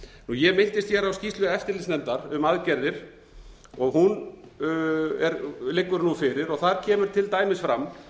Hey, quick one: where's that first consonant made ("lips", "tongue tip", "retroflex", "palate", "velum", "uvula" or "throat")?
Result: tongue tip